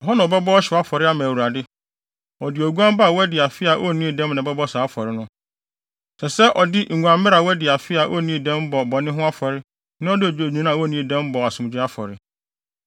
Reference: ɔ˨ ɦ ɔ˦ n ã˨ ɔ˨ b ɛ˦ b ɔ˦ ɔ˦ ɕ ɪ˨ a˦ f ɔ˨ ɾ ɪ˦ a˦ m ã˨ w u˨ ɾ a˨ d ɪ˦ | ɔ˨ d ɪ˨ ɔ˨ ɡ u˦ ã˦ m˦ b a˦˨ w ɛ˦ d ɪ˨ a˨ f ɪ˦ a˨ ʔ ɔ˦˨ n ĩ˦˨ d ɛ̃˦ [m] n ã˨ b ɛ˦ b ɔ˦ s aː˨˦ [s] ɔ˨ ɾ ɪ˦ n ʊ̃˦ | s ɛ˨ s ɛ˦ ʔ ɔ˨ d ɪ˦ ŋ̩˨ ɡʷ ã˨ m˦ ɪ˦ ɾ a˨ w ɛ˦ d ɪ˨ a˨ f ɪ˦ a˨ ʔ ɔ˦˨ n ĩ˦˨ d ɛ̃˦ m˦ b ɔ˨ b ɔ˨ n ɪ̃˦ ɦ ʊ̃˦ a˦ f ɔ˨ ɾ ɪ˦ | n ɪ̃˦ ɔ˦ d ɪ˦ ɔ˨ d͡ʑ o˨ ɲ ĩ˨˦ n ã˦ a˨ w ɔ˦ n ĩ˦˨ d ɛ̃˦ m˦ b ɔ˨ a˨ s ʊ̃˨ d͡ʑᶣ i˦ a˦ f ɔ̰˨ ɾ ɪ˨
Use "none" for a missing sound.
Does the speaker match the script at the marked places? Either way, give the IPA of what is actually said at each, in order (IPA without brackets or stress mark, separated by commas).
m, f